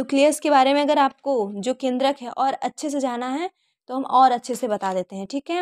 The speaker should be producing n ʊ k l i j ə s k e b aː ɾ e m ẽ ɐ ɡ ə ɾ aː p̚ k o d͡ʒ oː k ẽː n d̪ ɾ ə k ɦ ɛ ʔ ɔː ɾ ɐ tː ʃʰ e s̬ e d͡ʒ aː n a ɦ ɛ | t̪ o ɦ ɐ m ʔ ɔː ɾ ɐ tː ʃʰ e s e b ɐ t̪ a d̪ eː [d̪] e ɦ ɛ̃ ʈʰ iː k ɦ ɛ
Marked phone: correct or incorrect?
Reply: incorrect